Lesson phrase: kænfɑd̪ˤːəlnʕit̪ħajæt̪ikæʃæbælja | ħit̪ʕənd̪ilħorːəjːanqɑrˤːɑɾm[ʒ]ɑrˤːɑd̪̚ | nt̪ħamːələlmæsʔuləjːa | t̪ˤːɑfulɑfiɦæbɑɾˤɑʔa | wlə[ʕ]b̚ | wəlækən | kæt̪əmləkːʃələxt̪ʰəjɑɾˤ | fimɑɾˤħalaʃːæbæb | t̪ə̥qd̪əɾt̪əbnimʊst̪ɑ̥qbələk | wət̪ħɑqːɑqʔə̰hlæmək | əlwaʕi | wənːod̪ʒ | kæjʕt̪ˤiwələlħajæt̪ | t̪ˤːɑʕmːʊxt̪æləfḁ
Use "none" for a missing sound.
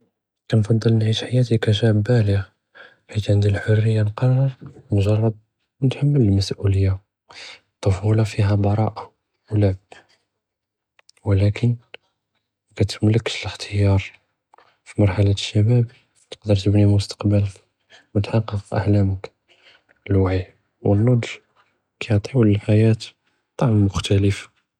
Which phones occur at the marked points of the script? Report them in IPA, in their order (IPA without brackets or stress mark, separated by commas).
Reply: ʒ, ʕ